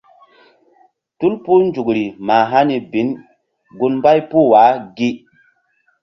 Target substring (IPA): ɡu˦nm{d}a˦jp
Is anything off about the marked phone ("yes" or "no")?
yes